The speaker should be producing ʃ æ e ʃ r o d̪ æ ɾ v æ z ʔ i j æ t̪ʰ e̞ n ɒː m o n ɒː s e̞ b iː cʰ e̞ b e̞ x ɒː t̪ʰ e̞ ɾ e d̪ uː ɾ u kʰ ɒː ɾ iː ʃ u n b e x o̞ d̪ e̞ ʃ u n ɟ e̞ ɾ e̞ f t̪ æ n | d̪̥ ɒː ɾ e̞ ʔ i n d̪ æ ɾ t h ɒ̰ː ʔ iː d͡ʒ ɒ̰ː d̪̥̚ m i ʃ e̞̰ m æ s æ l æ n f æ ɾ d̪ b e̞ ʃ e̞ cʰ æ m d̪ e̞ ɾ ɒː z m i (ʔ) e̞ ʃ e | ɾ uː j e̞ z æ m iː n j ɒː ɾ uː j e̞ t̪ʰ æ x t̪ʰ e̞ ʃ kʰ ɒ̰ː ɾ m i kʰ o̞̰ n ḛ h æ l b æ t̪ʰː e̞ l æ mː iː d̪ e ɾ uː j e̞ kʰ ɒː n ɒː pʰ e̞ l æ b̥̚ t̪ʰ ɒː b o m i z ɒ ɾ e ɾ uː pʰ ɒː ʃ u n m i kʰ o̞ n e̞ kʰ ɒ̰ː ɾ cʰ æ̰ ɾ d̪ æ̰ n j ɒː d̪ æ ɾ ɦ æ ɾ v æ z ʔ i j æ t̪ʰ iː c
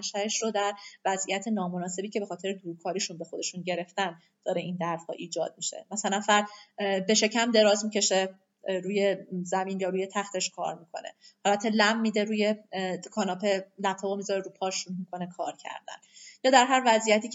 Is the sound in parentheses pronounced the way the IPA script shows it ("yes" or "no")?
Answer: no